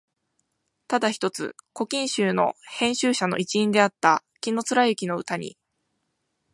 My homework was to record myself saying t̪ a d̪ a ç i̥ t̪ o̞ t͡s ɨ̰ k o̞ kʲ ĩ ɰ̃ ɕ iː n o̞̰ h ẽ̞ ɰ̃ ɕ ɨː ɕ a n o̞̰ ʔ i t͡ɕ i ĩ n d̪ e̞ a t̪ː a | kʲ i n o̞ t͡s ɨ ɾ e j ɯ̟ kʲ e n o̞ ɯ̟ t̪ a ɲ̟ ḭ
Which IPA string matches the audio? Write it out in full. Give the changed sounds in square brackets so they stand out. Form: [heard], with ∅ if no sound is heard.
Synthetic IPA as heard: t̪ a d̪ a ç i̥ t̪ o̞ t͡s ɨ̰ k o̞ kʲ ĩ ɰ̃ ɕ [ɨː] n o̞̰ h ẽ̞ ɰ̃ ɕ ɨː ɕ a n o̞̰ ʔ i t͡ɕ i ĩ n d̪ e̞ a t̪ː a | kʲ i n o̞ t͡s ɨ ɾ [a] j ɯ̟ kʲ [i] n o̞ ɯ̟ t̪ a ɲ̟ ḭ